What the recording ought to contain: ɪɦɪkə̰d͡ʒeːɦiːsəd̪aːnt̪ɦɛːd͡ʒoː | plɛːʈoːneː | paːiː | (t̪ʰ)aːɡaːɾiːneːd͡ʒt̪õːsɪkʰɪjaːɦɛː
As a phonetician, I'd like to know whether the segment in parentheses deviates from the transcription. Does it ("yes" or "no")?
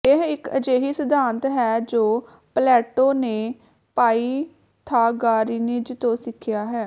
no